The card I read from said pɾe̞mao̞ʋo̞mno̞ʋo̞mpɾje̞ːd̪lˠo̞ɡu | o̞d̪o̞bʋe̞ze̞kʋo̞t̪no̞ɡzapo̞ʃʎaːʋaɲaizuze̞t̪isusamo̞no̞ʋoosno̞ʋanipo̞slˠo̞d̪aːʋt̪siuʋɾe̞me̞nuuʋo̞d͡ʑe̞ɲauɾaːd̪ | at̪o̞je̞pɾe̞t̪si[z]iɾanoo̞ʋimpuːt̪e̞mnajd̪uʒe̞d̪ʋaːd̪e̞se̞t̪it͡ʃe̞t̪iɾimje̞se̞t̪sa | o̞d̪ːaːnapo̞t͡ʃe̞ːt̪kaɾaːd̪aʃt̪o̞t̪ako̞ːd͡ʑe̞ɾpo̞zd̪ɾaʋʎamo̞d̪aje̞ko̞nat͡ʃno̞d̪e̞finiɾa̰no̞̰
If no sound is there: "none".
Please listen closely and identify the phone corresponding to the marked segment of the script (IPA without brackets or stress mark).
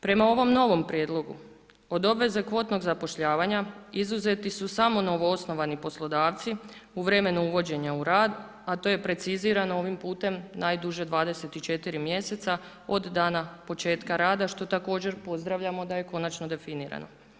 z